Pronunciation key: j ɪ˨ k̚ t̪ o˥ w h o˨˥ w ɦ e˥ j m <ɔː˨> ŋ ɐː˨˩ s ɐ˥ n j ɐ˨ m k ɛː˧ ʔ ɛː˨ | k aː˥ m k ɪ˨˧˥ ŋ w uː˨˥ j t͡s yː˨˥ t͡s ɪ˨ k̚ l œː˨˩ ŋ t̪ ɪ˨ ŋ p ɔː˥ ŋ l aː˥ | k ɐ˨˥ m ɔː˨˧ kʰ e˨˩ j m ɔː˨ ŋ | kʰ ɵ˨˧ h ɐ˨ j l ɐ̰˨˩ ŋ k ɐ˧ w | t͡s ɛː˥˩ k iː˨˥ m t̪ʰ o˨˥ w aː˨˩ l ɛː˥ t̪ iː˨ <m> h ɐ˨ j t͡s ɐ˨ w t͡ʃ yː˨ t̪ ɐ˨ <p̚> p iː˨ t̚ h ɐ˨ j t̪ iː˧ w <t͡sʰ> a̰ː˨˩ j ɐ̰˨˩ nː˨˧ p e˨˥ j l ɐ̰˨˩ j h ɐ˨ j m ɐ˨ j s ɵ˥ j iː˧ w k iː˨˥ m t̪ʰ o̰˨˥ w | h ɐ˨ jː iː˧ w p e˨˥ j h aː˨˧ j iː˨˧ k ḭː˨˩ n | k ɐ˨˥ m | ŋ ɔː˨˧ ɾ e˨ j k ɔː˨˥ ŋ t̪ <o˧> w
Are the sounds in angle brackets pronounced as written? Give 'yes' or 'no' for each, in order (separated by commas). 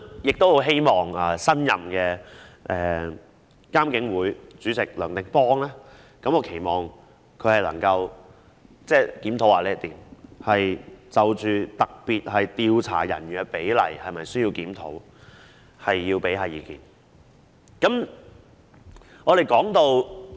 yes, yes, no, yes, yes